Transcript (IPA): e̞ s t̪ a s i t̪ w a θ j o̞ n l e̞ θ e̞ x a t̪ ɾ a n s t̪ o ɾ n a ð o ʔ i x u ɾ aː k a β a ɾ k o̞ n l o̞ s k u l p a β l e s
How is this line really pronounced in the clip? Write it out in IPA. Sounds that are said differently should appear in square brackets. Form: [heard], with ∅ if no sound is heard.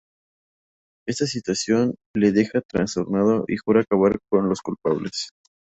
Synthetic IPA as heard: e̞ s t̪ a s i t̪ w a [s] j o̞ n l e̞ [ð] e̞ x a t̪ ɾ a n s t̪ o ɾ n a ð o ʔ i x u ɾ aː k a β a ɾ k o̞ n l o̞ s k u l p a β l e s